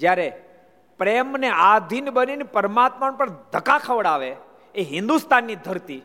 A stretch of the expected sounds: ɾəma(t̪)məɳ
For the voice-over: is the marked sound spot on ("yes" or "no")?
yes